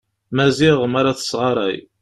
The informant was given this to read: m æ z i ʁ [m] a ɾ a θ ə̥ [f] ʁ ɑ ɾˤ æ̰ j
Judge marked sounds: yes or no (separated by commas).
yes, no